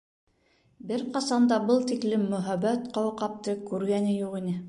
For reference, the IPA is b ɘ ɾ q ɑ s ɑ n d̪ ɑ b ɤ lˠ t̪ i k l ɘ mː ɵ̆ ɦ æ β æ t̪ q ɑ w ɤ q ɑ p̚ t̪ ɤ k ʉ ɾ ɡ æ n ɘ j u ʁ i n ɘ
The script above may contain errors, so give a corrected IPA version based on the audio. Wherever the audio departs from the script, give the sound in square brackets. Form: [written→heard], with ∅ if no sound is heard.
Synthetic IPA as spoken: b ɘ ɾ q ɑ s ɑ n d̪ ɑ b ɤ lˠ t̪ i k l ɘ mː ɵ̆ ɦ æ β æ t̪ q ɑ w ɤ q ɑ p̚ t̪ ɤ k ʉ ɾ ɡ æ n ɘ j u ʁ i n ɘ